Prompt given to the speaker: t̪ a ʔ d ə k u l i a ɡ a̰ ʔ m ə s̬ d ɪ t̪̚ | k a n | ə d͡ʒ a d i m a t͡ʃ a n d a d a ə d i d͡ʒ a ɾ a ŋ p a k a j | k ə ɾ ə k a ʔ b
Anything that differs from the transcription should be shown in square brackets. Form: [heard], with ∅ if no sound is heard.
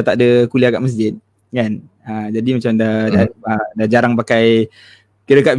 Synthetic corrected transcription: t̪ a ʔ d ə k u l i a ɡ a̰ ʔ m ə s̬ [d͡ʒ] ɪ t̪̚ | k a n | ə d͡ʒ a d i m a t͡ʃ a [m] d a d a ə d [a] d͡ʒ a ɾ a ŋ p a k a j | k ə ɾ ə k a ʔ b